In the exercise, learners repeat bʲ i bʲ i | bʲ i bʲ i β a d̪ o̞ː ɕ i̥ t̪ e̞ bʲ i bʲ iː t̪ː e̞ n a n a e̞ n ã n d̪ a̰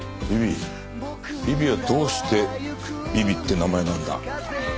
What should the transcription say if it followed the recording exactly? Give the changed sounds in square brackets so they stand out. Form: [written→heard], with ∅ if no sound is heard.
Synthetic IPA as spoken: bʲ i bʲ i | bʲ i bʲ i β a d̪ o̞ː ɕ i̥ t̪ e̞ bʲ i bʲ [iː→i] t̪ː e̞ n a [n→m] a e̞ n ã n d̪ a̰